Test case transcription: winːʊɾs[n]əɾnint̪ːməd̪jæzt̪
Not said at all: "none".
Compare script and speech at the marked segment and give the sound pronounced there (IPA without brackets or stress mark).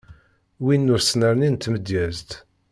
n